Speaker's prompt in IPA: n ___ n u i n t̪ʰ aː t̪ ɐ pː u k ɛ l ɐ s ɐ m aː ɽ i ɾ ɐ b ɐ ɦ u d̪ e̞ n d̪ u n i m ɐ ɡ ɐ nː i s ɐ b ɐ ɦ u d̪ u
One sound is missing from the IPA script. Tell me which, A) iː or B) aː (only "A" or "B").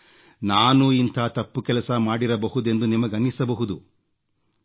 B